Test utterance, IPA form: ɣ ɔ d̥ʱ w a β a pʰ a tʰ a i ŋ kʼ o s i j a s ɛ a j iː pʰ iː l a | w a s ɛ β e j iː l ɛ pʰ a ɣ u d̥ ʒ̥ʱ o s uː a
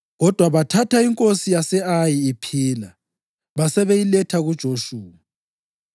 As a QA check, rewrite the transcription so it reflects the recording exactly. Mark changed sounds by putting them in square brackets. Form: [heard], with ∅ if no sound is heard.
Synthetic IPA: ɣ ɔ d̥ʱ w a β a [tʰ] a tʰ a i ŋ kʼ o s i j a s ɛ a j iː pʰ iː l a | [β] a s ɛ β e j [i] l ɛ [tʰ] a ɣ u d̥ ʒ̥ʱ o [ʃ] uː a